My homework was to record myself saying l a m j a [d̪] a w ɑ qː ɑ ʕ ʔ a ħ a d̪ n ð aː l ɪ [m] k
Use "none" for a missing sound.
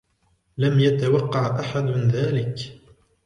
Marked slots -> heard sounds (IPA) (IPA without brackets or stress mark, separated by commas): t̪, none